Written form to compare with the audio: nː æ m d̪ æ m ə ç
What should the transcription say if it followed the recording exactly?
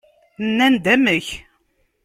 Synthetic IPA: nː æ n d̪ æ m ə ç